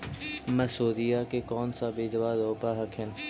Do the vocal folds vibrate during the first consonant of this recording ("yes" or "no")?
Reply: yes